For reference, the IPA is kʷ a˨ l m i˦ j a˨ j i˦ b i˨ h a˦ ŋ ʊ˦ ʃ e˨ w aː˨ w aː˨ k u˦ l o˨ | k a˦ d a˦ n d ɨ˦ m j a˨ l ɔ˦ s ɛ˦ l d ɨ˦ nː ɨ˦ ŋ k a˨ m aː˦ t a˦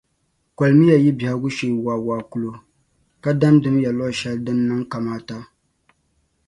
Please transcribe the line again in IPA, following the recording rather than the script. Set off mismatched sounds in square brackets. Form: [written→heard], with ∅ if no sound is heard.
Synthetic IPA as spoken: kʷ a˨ l m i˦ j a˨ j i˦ b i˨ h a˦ [ŋ→ɡ] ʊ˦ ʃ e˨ w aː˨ w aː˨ k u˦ l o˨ | k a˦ d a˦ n d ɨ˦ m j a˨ l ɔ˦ [s→ʃ] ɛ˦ l d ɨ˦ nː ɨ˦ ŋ k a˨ m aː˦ t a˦